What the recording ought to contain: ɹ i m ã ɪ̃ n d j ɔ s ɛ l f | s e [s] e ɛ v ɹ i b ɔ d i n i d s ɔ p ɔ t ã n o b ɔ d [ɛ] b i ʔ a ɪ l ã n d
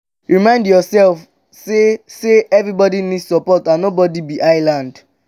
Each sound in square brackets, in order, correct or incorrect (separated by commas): correct, incorrect